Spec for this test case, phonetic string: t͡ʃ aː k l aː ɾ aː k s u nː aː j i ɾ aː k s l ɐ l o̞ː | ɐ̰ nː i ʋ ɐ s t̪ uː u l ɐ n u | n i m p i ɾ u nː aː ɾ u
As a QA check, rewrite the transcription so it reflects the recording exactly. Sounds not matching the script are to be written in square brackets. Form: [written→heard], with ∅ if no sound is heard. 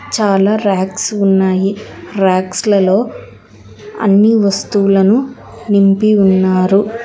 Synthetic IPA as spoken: t͡ʃ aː [k→∅] l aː ɾ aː k s u nː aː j i ɾ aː k s l ɐ l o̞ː | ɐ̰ nː i ʋ ɐ s t̪ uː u l ɐ n u | n i m p i [ɾ→∅] u nː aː ɾ u